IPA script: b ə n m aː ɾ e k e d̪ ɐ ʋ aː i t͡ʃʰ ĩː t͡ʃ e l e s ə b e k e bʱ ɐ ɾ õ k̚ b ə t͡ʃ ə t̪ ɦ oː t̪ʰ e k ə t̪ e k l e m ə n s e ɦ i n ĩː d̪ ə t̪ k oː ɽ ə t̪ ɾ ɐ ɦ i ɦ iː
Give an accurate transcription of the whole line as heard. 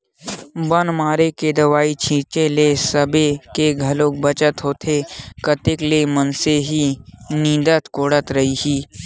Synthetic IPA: b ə n m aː ɾ e k e d̪ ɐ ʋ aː i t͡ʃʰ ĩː t͡ʃ e l e s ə b e k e ɡʱ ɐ l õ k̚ b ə t͡ʃ ə t̪ ɦ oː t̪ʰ e k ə t̪ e k l e m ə n s e ɦ i n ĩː d̪ ə t̪ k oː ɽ ə t̪ ɾ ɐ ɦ i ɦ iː

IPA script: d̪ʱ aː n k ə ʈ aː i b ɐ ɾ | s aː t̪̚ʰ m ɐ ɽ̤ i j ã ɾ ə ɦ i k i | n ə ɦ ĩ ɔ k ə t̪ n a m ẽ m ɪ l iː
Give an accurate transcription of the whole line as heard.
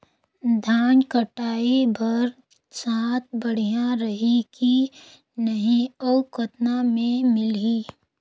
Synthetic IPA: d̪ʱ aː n k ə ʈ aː i b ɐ ɾ | s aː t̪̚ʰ b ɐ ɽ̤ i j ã ɾ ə ɦ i k i | n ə ɦ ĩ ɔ k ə t̪ n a m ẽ m ɪ l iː

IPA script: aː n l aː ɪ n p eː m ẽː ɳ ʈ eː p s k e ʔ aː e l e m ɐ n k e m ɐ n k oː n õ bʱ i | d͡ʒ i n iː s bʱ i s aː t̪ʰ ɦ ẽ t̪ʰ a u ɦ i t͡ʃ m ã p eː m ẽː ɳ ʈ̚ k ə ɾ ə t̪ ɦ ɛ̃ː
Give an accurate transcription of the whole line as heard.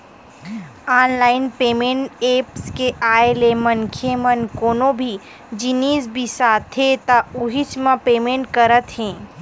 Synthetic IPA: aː n l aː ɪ n p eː m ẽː ɳ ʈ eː p s k e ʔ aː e l e m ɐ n kʰ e m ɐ n k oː n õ bʱ i | d͡ʒ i n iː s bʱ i s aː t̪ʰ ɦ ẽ t̪ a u ɦ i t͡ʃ m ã p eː m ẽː ɳ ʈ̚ k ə ɾ ə t̪ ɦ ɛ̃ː

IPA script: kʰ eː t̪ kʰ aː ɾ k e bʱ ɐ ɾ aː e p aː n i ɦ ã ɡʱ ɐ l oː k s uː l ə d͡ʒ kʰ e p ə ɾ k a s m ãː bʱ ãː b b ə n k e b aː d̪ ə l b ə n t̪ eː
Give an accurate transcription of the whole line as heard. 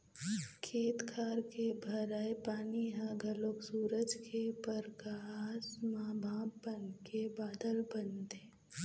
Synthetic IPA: kʰ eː t̪ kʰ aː ɾ k e bʱ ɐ ɾ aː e p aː n i ɦ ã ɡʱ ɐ l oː k s uː ɾ ə d͡ʒ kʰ e p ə ɾ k a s m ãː bʱ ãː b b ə n k e b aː d̪ ə l b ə n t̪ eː

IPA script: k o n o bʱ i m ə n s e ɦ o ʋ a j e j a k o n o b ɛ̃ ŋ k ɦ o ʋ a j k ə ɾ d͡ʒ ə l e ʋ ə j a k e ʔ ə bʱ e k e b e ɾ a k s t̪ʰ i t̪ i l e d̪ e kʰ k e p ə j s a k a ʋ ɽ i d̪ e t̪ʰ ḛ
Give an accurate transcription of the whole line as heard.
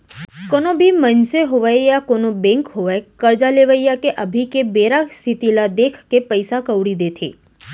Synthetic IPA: k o n o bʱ i m ə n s e ɦ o ʋ a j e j a k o n o b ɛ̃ ŋ k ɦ o ʋ a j k ə ɾ d͡ʒ a l e ʋ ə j a k e ʔ ə bʱ i k e b e ɾ a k s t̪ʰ i t̪ i l a d̪ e kʰ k e p ə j s a k ə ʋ ɽ i d̪ e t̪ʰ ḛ

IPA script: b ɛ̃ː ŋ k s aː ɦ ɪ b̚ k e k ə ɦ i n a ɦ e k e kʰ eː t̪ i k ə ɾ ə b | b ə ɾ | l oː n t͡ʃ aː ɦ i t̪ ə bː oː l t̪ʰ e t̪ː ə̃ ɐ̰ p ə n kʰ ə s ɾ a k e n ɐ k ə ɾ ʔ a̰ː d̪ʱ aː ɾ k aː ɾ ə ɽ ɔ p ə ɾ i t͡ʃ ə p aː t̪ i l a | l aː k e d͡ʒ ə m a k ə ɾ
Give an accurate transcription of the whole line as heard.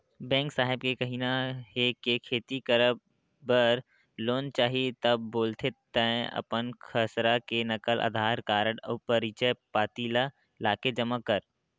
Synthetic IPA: b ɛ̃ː ŋ k s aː ɦ ɪ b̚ k e k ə ɦ i n a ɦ e k e kʰ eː t̪ i k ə ɾ ə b | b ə ɾ | l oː n t͡ʃ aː ɦ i t̪ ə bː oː l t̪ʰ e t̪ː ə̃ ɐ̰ p ə n kʰ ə s ɾ a k e n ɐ k ə l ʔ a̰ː d̪ʱ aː ɾ k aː ɾ ə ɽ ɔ p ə ɾ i t͡ʃ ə p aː t̪ i l a | l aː k e d͡ʒ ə m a k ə ɾ

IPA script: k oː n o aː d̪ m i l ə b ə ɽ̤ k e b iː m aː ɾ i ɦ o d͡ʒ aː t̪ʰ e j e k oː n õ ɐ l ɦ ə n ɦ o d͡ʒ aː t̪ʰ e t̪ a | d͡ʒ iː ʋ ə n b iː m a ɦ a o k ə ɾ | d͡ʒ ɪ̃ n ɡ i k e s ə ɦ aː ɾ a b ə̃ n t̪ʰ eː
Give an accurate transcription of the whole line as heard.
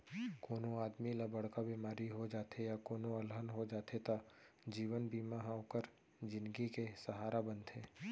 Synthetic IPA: k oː n o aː d̪ m i l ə b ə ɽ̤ k a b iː m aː ɾ i ɦ o d͡ʒ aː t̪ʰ e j a k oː n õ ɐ l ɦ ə n ɦ o d͡ʒ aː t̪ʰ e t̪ a | d͡ʒ iː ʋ ə n b iː m a ɦ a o k ə ɾ | d͡ʒ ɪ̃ n ɡ i k e s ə ɦ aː ɾ a b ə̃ n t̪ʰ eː

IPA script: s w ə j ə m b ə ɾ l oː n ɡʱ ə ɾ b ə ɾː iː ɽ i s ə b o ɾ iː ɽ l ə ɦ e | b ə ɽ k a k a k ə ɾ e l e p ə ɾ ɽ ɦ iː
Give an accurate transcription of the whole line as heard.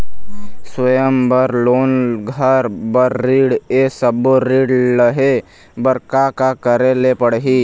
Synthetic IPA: s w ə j ə m b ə ɾ l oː n ɡʱ ə ɾ b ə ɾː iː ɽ e s ə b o ɾ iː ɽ l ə ɦ e | b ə ɾ k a k a k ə ɾ e l e p ə ɽ ɦ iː

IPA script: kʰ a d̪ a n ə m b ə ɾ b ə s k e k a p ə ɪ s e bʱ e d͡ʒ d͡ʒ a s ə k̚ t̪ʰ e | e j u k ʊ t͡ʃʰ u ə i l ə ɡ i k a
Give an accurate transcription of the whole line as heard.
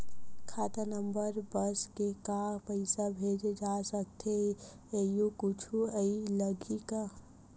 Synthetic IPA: kʰ a t̪ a n ə m b ə ɾ b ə s k e k a p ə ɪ s a bʱ e d͡ʒ d͡ʒ a s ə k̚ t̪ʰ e | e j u k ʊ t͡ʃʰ u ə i l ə ɡ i k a

